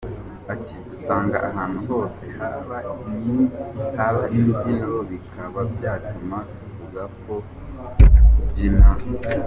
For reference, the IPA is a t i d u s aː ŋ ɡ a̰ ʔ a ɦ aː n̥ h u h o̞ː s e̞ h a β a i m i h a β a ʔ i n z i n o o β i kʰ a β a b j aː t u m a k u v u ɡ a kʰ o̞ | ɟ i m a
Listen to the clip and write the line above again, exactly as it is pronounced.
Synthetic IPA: a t i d u s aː ŋ ɡ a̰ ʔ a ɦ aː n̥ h u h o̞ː s e̞ h a β a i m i h a β a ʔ i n z i n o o β i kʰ a β a b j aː t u m a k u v u ɡ a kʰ o̞ | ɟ i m a